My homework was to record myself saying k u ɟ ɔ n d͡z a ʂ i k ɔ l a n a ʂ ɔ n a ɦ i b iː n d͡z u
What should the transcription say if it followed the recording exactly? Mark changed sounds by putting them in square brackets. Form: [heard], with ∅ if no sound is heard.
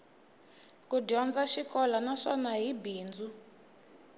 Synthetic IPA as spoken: k u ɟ ɔ n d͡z a [ʃ] i k ɔ l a n a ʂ ɔ n a ɦ i b iː n d͡z u